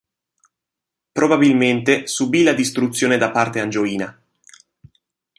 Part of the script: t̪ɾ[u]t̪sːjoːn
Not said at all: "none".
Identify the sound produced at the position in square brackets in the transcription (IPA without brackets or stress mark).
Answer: u